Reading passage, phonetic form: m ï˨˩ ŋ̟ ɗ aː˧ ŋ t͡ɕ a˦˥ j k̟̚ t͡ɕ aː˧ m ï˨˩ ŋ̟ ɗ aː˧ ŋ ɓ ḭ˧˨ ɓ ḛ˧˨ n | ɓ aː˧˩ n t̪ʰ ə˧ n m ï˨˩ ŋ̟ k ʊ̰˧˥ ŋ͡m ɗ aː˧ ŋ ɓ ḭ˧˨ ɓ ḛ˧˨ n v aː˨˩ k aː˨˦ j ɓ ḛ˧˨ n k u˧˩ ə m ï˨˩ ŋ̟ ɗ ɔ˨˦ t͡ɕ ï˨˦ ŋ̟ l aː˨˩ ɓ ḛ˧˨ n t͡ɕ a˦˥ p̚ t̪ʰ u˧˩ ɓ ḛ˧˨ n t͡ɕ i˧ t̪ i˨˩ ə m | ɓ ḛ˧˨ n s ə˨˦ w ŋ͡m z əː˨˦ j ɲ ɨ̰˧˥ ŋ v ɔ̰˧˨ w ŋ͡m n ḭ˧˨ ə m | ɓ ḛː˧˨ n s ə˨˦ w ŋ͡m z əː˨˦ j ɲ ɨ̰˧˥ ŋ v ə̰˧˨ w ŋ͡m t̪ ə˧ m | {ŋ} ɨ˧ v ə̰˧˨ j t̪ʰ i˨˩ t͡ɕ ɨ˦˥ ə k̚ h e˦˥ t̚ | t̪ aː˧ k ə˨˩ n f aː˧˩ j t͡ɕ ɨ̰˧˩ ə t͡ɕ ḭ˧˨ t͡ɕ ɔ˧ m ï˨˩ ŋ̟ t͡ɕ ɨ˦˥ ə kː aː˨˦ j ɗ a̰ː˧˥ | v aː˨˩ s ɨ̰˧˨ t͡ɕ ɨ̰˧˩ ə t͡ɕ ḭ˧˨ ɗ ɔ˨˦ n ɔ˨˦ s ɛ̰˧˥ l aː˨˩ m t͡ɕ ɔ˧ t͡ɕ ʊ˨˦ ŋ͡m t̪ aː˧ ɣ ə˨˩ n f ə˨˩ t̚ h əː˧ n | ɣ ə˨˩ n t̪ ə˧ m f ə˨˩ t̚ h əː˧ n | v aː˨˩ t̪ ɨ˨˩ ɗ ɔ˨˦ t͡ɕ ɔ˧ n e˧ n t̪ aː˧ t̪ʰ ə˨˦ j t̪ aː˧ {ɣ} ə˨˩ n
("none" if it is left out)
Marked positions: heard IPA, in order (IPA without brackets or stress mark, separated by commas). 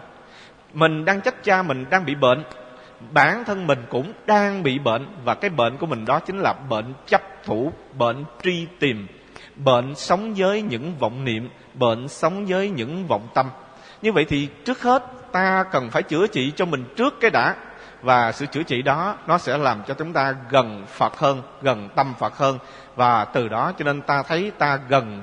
ɲ, ɣ